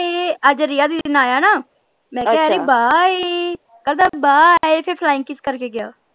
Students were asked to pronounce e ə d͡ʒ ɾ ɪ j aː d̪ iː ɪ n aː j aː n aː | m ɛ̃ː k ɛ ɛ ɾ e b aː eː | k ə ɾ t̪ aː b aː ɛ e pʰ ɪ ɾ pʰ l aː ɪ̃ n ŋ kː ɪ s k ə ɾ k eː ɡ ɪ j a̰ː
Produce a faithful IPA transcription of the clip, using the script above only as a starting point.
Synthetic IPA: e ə d͡ʒ ɾ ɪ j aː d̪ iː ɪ n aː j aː n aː | m ɛ̃ː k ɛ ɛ ɾ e b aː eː | k ə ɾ d̪ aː b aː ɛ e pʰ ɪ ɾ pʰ l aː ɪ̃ ŋ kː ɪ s k ə ɾ k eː ɡ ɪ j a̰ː